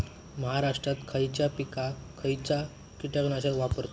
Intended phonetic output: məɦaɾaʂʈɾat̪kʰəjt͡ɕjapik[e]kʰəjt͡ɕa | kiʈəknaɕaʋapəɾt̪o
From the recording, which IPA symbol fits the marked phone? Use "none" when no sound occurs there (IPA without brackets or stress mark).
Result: a